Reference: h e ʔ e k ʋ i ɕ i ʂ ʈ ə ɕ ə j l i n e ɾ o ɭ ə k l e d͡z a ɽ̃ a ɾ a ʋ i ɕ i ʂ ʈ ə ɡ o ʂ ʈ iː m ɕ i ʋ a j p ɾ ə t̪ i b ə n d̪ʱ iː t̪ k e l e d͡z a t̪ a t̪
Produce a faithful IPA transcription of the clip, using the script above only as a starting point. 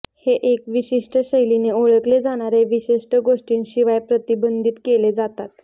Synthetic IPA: h e ʔ e k ʋ i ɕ i ʂ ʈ ə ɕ ə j l i n e o ɭ ə k l e d͡z a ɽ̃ a ɾ e ʋ i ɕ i ʂ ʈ ə ɡ o ʂ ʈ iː n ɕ i ʋ a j p ɾ ə t̪ i b ə n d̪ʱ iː t̪ k e l e d͡z a t̪ a t̪